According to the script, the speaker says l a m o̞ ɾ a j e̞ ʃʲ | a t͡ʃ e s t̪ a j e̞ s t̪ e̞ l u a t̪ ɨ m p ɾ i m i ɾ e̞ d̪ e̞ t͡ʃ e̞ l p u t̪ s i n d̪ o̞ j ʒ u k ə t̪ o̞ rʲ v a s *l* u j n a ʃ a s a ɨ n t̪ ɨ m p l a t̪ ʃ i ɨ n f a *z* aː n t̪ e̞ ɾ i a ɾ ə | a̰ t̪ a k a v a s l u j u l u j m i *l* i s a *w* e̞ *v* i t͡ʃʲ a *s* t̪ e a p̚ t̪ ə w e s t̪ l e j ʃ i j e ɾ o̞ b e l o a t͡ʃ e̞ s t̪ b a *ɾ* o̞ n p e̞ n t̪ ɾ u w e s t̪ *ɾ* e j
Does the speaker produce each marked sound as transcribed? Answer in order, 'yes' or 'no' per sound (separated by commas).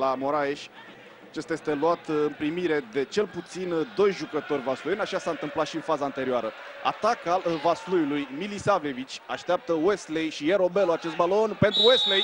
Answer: yes, yes, yes, no, yes, no, no, no